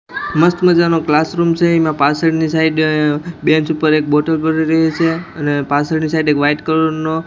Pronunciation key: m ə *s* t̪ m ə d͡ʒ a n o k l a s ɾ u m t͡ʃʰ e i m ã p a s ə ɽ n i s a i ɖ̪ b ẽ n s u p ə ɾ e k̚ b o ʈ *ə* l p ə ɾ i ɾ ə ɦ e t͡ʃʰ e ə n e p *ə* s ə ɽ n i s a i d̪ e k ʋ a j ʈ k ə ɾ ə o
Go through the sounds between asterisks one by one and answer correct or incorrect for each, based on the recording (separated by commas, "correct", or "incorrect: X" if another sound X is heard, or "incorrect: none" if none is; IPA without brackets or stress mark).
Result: correct, correct, incorrect: a